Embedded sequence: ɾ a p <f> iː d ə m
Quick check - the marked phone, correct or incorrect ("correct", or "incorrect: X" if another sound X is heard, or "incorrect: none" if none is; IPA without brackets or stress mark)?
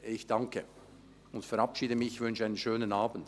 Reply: incorrect: ʃ